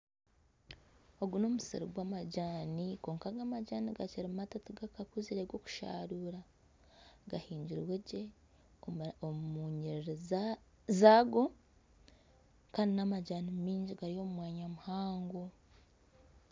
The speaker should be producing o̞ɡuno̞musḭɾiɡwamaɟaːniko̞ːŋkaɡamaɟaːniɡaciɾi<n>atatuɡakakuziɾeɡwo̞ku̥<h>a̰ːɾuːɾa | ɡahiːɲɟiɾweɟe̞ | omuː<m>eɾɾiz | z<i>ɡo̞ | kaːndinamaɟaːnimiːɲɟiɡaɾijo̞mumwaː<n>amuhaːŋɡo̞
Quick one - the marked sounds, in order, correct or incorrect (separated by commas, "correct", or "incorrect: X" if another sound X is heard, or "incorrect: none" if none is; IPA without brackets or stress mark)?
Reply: incorrect: m, incorrect: ʃ, incorrect: ɲ, incorrect: a, incorrect: ɲ